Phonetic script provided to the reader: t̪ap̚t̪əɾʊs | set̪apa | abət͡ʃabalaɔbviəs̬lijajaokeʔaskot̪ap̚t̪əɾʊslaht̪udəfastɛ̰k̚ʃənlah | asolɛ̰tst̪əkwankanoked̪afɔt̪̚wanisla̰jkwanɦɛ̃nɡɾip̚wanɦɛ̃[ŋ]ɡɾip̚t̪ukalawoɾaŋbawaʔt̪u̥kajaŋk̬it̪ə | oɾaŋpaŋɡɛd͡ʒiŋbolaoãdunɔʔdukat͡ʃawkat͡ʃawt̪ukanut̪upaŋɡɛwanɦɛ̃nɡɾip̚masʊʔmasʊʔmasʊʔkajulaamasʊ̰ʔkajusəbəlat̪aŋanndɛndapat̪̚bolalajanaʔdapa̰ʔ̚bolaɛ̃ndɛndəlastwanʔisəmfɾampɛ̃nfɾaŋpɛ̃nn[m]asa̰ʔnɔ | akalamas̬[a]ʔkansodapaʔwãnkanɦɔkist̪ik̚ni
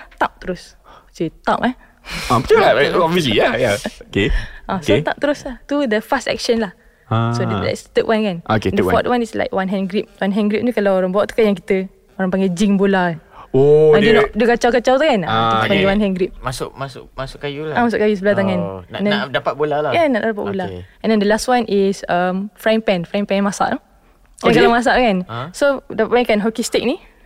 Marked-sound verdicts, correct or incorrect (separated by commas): incorrect, correct, correct